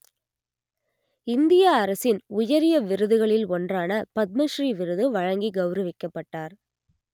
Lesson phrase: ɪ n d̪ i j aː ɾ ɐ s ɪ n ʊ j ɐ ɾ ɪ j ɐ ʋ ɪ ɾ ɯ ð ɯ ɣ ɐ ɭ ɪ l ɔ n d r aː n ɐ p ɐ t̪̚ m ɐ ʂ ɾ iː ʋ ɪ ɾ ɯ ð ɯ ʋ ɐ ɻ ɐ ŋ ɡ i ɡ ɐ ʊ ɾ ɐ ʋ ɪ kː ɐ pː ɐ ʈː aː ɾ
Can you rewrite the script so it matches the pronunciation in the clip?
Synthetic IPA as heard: ɪ n d̪ ɪ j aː ɾ ɐ s ɪ n ʊ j ɐ ɾ ɪ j ɐ ʋ ɪ ɾ ɯ ð ɯ ɣ ɐ ɭ ɪ l ɔ n d r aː n ɐ p ɐ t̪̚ m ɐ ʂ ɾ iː ʋ ɪ ɾ ɯ ð ɯ ʋ ɐ ɻ ɐ ŋ ɡ i ɡ ɐ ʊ ɾ ɐ ʋ ɪ kː ɐ pː ɐ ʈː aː ɾ

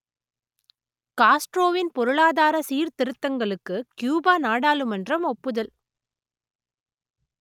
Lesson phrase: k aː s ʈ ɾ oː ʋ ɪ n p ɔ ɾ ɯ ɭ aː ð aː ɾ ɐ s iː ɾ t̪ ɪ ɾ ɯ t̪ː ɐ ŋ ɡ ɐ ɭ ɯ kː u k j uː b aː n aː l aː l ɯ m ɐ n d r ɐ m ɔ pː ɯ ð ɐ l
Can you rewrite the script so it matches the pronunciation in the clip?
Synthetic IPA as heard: k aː s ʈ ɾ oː ʋ ɪ n p ɔ ɾ ɯ ɭ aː ð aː ɾ ɐ s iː ɾ t̪ ɪ ɾ ɯ t̪ː ɐ ŋ ɡ ɐ ɭ ɯ kː ɯ k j uː b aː n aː ɽ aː l ɯ m ɐ n d r ɐ m ɔ pː ɯ ð ɐ l

